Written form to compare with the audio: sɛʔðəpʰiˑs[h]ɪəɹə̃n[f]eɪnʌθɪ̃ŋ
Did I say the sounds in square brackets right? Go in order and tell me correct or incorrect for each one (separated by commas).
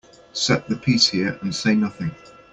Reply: correct, incorrect